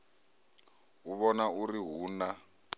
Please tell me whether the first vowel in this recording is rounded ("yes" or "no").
yes